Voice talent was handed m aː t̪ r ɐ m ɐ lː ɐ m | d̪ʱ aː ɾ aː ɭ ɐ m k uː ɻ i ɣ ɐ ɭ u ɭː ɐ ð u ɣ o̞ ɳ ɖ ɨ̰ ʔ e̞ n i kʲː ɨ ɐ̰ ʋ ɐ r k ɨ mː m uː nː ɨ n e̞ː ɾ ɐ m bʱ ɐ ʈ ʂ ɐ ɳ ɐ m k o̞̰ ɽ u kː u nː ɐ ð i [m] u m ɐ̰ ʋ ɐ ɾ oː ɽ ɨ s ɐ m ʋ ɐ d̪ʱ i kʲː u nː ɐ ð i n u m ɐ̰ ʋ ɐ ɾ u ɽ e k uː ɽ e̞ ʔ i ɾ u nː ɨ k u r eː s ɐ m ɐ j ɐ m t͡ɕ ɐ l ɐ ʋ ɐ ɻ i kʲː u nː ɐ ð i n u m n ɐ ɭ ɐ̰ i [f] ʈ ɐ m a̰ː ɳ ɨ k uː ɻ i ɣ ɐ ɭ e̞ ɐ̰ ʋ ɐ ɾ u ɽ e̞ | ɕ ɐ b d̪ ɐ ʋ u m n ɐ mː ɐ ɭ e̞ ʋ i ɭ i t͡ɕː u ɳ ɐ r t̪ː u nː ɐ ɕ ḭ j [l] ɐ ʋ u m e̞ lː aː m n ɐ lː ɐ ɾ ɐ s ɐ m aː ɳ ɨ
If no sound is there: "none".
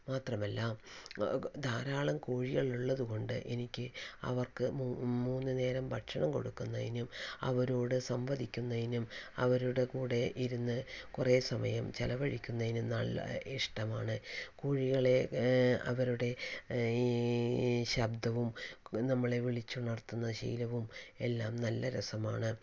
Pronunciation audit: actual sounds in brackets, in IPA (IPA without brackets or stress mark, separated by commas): n, ʂ, l